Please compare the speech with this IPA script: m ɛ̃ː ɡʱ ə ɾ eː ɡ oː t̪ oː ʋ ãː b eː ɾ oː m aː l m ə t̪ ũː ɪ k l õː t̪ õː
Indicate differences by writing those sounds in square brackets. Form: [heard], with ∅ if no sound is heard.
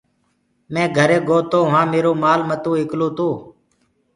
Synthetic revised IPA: m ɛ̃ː ɡʱ ə ɾ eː ɡ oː t̪ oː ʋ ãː [m] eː ɾ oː m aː l m ə t̪ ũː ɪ k l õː t̪ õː